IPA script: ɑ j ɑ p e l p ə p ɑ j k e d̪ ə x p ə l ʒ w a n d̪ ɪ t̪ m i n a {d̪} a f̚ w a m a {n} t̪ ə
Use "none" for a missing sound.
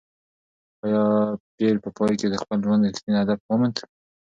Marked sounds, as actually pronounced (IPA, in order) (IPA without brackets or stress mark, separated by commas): d̪, n